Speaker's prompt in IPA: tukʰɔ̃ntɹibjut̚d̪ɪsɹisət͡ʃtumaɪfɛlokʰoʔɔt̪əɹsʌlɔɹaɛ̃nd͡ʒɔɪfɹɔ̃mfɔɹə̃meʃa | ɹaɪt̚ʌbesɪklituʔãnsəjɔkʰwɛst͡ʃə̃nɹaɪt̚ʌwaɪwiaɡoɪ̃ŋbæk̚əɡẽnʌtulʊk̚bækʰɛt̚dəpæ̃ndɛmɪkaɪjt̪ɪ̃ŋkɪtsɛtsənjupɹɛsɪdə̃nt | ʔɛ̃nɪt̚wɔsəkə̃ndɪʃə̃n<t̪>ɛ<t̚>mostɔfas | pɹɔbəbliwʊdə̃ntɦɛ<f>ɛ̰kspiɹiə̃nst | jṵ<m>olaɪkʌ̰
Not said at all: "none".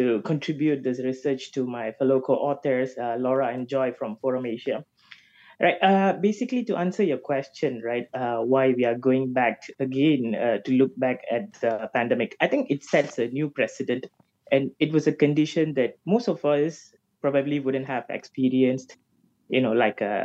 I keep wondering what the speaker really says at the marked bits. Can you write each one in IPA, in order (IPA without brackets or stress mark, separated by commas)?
d̪, t̚, v, n